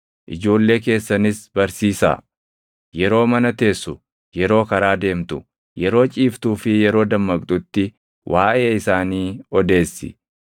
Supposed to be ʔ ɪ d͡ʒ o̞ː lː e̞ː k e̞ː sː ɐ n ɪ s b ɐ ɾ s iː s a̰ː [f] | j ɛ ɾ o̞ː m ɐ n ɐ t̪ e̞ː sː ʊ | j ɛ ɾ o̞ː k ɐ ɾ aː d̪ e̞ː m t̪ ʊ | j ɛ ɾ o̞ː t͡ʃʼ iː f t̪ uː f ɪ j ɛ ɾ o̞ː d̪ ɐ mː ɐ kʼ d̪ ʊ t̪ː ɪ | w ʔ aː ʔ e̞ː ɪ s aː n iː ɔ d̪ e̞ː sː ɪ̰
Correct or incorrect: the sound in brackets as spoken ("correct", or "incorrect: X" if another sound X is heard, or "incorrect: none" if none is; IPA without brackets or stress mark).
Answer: incorrect: none